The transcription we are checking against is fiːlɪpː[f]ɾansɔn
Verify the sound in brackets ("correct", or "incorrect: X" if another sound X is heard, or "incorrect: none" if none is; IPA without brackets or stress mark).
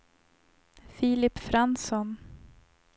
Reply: correct